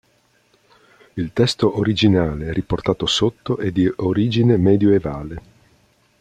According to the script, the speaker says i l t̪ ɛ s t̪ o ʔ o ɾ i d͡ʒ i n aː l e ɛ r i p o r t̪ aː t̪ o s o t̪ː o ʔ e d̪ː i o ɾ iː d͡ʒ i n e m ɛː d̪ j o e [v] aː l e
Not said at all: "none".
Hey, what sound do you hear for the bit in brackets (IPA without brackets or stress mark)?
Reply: v